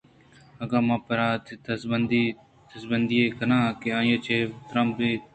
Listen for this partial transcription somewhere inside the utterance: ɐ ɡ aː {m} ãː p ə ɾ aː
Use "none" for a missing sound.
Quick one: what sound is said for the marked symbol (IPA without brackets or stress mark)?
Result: m